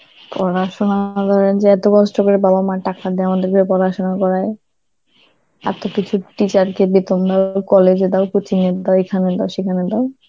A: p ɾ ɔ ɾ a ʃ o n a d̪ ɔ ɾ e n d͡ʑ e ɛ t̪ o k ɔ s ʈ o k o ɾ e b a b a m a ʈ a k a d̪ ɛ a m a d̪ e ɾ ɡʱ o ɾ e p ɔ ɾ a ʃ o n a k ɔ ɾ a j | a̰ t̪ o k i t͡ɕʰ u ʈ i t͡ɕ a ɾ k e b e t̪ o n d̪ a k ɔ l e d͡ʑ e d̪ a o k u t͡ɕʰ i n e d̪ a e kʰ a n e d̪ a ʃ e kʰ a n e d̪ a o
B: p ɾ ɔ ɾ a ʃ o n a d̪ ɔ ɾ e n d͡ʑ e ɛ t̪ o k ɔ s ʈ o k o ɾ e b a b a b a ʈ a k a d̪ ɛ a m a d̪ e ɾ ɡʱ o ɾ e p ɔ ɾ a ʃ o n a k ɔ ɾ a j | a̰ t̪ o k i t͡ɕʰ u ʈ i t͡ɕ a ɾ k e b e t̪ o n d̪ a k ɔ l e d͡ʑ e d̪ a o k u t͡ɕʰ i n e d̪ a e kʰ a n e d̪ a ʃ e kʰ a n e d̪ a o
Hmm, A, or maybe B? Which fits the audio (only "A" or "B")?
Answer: A